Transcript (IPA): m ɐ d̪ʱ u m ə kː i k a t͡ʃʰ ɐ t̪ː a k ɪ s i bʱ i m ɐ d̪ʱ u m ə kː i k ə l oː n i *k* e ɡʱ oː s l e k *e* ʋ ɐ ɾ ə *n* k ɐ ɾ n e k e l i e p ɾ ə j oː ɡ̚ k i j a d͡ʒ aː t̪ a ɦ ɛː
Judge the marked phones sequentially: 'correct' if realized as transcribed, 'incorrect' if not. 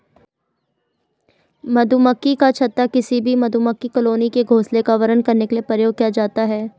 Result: correct, incorrect, correct

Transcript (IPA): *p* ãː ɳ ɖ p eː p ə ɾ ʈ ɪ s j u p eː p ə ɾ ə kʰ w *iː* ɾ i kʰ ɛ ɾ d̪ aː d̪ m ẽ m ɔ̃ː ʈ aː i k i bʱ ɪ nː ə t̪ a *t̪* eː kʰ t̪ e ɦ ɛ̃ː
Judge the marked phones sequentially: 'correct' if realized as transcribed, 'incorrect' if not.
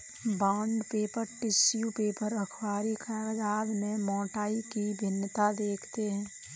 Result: incorrect, incorrect, incorrect

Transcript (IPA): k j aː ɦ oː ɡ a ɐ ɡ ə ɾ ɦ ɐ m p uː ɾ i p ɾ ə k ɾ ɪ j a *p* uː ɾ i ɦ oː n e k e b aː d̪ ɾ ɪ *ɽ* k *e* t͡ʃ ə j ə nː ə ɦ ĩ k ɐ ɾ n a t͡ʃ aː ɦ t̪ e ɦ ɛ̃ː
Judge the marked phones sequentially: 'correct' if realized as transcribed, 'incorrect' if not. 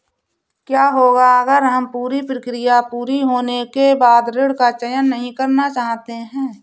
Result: correct, correct, incorrect

